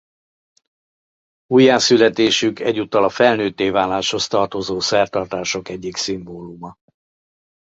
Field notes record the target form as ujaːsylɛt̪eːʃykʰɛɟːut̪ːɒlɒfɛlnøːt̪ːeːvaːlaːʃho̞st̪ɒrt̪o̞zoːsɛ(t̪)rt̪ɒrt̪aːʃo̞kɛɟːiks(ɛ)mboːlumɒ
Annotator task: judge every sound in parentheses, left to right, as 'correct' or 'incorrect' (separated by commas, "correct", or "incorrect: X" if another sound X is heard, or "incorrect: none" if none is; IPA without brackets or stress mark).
incorrect: none, incorrect: i